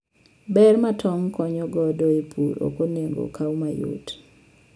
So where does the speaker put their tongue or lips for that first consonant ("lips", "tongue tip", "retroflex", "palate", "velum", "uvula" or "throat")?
lips